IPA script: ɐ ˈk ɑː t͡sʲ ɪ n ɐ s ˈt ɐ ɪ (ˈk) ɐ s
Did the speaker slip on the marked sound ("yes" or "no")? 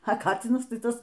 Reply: yes